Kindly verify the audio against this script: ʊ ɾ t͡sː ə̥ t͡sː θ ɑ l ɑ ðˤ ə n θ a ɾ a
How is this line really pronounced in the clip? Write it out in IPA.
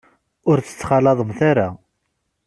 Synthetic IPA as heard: ʊ ɾ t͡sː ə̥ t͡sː χ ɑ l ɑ ðˤ ə m θ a ɾ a